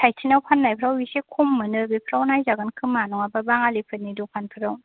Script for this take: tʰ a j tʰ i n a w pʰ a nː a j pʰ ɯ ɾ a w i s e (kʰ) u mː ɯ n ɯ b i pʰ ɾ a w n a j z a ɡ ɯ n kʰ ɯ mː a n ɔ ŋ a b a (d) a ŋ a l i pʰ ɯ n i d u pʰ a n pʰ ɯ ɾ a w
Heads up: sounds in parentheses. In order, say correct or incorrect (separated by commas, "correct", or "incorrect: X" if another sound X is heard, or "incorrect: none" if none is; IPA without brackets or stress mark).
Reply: correct, incorrect: b